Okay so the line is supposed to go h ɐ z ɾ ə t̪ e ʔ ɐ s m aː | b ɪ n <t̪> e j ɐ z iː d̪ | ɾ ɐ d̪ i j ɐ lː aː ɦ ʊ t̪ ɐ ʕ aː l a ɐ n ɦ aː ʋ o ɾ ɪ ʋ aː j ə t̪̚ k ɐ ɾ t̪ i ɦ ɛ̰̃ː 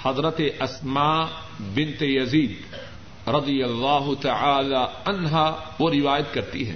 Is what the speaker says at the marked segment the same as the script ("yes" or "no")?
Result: yes